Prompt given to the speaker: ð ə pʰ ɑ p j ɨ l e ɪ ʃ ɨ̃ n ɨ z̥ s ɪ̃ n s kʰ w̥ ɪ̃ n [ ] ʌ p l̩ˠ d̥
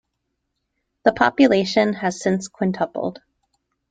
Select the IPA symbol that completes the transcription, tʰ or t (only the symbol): tʰ